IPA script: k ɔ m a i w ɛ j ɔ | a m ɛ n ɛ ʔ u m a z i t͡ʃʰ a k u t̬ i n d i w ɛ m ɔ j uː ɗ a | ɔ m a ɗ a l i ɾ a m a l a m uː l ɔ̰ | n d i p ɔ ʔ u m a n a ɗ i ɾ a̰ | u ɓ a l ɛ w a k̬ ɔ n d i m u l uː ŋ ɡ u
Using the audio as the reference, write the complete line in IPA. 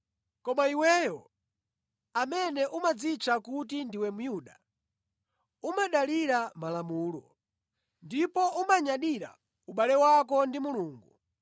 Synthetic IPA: k ɔ m a i w ɛ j ɔ | a m ɛ n ɛ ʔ u m a d͡z i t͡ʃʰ a k u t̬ i n d i w ɛ m u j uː ɗ a | u m a ɗ a l i ɾ a m a l a m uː l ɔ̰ | n d i p ɔ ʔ u m a ɲ a ɗ i ɾ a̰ | u ɓ a l ɛ w a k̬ ɔ n d i m u l uː ŋ ɡ u